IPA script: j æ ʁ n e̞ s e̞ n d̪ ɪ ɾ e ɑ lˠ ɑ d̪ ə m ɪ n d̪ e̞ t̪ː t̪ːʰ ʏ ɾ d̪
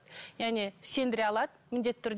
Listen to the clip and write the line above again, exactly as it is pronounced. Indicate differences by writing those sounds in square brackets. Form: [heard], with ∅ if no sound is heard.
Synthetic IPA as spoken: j æ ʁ n e̞ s e̞ n d̪ ɪ ɾ e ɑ lˠ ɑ d̪ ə m ɪ n d̪ e̞ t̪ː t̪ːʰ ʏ ɾ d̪